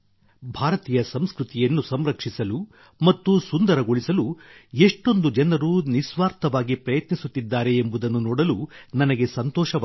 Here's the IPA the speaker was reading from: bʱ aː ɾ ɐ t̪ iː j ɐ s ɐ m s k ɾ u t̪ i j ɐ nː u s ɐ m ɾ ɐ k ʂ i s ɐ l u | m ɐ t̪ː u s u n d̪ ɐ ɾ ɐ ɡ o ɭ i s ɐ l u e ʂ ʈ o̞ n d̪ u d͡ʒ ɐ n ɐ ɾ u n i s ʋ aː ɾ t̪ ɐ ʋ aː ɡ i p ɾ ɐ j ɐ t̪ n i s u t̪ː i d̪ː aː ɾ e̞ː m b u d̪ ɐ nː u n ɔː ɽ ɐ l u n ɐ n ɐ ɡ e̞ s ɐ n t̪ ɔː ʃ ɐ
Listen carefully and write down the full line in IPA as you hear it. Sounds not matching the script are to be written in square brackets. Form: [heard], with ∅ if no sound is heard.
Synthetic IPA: bʱ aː ɾ ɐ t̪ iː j ɐ s ɐ m s k ɾ u t̪ i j ɐ nː u s ɐ m ɾ ɐ k ʂ i s ɐ l u | m ɐ t̪ː u s u n d̪ ɐ ɾ ɐ ɡ o ɭ i s ɐ l u e ʂ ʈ o̞ n d̪ u d͡ʒ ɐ n ɐ ɾ u n i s ʋ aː ɾ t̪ ɐ ʋ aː ɡ i p ɾ ɐ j ɐ t̪ n i s u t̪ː i d̪ː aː ɾ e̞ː m b u d̪ ɐ nː u n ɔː ɽ ɐ l u n ɐ n ɐ ɡ e̞ s ɐ n t̪ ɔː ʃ ɐ